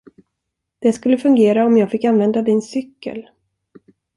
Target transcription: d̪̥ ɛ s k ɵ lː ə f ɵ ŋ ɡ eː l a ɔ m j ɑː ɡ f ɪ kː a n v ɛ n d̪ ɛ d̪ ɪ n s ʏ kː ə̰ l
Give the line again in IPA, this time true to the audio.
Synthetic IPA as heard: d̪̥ ɛ s k ɵ lː ə f ɵ ŋ ɡ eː ɾ a ɔ m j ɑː ɡ f ɪ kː a n v ɛ n d̪ a d̪ ɪ n s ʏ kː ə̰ l